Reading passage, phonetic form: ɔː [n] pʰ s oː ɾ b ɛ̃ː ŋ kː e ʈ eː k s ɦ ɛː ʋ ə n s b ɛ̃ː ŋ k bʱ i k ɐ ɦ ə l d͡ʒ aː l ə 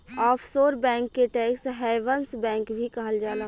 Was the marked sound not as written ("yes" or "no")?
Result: yes